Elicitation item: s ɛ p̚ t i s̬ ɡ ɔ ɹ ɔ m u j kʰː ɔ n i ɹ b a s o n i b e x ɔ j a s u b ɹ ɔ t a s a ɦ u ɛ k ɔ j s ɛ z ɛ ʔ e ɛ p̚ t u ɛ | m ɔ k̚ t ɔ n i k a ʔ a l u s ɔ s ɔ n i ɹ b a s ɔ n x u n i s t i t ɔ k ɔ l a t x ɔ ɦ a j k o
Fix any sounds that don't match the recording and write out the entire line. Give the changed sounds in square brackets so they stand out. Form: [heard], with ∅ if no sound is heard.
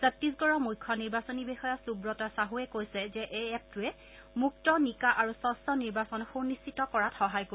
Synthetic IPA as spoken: s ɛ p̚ t i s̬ ɡ ɔ ɹ ɔ m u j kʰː ɔ n i ɹ b a s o n i b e x ɔ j a s u b ɹ ɔ t a s a ɦ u ɛ k [o] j s ɛ z ɛ ʔ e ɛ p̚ t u ɛ | m [u] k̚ t ɔ n i k a ʔ a [ɹ] u s ɔ s ɔ n i ɹ b a s ɔ n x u n i s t i t ɔ k ɔ [ɹ] a t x ɔ ɦ a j k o